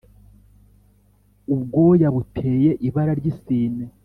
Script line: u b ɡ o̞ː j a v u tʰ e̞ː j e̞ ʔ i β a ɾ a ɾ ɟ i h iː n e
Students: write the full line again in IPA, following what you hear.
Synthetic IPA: u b ɡ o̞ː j a β u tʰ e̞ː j e̞ ʔ i β a ɾ a ɾ ɟ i s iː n e

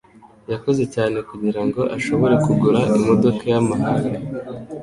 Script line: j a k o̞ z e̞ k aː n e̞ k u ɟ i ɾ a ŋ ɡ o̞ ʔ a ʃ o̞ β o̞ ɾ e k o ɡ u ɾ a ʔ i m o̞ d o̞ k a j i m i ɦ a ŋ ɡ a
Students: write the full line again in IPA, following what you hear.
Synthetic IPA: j a k o̞ z e̞ c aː n e̞ k u ɟ i ɾ a ŋ ɡ o̞ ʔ a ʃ o̞ β o̞ ɾ e k u ɡ u ɾ a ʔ i m o̞ d o̞ k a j a m a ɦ a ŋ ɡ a

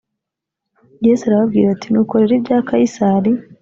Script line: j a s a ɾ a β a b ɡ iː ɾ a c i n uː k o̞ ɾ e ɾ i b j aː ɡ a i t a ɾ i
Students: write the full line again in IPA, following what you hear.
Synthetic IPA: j e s a ɾ a β a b ɡ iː ɾ a t i n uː k o̞ ɾ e ɾ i b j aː k a i s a ɾ i

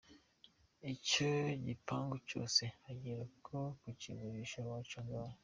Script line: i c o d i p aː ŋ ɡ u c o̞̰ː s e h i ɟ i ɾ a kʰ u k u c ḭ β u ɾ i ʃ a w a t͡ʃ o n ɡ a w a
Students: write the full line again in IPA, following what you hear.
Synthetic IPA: i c o ɟ i p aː ŋ ɡ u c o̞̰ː s e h a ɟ i ɾ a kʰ o k u c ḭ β u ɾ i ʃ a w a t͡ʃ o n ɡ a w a

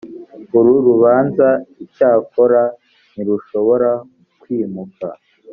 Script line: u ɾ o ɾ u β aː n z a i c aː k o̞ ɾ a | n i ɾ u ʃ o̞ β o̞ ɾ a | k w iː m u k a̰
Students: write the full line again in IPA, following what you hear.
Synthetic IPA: u ɾ u ɾ u β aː n z a i c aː k o̞ ɾ a | n i ɾ u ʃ o̞ β o̞ ɾ a | k w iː m u k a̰

